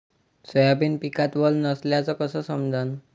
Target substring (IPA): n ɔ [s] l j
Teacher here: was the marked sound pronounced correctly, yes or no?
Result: yes